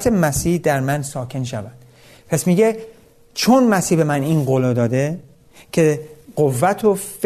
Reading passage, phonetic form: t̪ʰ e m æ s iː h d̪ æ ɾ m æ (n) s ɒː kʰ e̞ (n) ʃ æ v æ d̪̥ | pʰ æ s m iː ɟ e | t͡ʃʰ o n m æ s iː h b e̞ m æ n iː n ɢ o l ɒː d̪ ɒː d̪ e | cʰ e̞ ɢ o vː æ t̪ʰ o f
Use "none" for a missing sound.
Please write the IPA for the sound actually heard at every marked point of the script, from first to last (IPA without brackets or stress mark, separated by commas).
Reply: n, n